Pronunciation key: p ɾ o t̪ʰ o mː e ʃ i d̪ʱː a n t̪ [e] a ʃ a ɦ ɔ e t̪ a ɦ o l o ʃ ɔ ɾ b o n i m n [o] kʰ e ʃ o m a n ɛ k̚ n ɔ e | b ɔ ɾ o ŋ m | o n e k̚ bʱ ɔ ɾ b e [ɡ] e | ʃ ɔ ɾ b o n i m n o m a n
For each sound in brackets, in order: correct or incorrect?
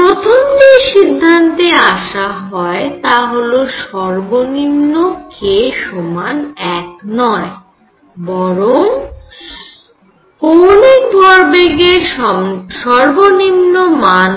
correct, correct, correct

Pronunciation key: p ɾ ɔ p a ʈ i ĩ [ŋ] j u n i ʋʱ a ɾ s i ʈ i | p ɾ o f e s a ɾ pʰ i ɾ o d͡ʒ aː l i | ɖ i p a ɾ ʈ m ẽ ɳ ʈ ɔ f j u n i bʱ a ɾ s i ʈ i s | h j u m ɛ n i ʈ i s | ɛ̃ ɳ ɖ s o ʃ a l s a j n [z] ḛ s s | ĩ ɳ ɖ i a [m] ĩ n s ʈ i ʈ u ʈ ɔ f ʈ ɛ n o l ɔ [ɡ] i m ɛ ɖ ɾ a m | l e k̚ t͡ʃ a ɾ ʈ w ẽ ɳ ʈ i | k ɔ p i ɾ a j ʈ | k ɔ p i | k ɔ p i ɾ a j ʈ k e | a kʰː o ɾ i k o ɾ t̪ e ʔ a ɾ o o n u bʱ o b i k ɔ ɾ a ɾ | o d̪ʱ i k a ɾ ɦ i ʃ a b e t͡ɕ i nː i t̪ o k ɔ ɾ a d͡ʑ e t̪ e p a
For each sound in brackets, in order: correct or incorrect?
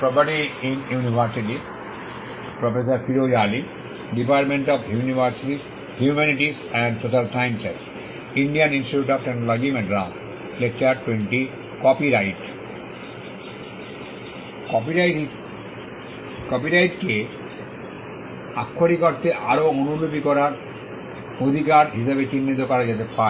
incorrect, incorrect, incorrect, correct

